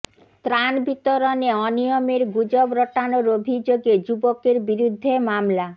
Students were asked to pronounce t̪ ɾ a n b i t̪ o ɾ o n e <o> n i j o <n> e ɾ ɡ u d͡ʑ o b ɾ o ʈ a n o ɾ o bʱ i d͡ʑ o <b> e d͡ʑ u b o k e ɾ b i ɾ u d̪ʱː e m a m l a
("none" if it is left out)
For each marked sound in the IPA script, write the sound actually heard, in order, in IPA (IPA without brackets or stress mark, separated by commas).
ɔ, m, ɡ